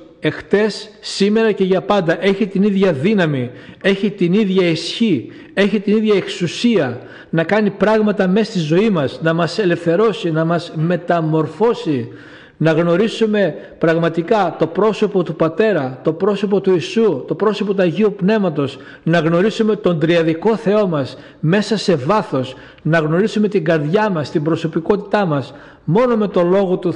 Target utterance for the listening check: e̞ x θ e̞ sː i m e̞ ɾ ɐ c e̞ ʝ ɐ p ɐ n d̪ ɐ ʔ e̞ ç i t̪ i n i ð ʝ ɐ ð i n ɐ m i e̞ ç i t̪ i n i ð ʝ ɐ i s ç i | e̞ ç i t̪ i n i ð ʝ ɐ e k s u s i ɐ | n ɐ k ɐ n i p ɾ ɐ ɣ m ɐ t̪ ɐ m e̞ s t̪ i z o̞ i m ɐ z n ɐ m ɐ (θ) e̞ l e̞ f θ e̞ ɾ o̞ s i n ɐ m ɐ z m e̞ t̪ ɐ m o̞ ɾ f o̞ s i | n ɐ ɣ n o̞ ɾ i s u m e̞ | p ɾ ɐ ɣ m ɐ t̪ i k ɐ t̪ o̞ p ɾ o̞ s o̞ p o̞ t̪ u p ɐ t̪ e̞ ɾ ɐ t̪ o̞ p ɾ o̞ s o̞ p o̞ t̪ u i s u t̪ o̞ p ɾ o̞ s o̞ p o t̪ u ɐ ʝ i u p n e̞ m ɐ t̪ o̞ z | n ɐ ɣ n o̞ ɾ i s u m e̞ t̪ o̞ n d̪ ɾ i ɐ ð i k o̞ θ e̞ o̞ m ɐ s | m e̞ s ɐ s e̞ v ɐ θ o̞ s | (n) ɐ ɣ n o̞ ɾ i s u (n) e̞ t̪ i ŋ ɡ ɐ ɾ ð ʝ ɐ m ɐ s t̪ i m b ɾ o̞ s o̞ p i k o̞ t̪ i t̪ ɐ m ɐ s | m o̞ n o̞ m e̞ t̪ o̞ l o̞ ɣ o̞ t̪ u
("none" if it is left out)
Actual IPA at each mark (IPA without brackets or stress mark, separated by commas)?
s, n, m